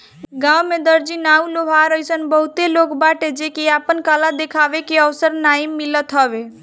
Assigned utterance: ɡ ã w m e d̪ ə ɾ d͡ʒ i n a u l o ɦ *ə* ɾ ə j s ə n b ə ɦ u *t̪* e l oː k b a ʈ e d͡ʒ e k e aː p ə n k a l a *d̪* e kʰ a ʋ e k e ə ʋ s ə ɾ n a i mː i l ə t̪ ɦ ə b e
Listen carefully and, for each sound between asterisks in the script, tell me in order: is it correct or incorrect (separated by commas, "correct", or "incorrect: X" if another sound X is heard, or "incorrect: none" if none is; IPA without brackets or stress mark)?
incorrect: a, correct, correct